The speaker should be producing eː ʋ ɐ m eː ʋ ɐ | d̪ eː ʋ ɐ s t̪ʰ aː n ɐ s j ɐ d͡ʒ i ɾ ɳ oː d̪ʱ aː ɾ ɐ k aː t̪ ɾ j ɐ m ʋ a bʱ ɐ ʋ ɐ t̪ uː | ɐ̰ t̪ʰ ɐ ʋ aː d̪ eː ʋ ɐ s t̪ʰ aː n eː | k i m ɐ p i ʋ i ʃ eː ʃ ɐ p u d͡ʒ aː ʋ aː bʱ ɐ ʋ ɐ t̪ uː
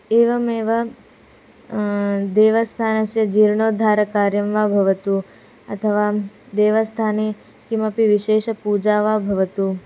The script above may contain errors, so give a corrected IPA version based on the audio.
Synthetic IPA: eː ʋ ɐ m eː ʋ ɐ | d̪ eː ʋ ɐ s t̪ʰ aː n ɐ s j ɐ d͡ʒ i ɾ ɳ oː d̪ʱ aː ɾ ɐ k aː ɾ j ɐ m ʋ a bʱ ɐ ʋ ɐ t̪ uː | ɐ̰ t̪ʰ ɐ ʋ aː d̪ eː ʋ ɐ s t̪ʰ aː n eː | k i m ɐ p i ʋ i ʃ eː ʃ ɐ p u d͡ʒ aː ʋ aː bʱ ɐ ʋ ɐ t̪ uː